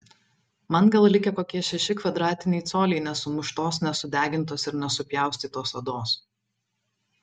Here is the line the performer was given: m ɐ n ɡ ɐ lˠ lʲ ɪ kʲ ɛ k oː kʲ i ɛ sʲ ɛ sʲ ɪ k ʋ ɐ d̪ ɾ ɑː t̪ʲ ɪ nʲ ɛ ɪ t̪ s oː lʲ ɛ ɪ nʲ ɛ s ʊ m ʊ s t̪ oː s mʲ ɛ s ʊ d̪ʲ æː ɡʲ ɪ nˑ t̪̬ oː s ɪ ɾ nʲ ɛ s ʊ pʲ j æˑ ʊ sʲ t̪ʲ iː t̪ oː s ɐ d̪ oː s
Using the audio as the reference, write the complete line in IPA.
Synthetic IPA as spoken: m ɐ n ɡ ɐ lˠ lʲ ɪ kʲ ɛ k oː kʲ i ɛ ʃʲ ɛ ʃʲ ɪ k ʋ ɐ d̪ ɾ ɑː t̪ʲ ɪ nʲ ɛ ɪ t̪ s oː lʲ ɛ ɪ nʲ ɛ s ʊ m ʊ ʃ t̪ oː s nʲ ɛ s ʊ d̪ʲ æː ɡʲ ɪ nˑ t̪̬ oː s ɪ ɾ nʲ ɛ s ʊ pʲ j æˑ ʊ sʲ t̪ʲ iː t̪ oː s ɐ d̪ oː s